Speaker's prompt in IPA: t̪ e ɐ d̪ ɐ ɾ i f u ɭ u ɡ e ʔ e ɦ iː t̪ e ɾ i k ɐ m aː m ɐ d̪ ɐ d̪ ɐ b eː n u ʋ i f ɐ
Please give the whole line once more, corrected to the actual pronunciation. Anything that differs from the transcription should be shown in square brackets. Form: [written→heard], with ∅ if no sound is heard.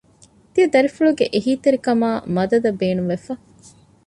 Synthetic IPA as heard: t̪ [e→i] ɐ d̪ ɐ ɾ i f u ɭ u ɡ e ʔ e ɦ iː t̪ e ɾ i k ɐ m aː m ɐ d̪ ɐ d̪ ɐ b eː n u ʋ [i→e] f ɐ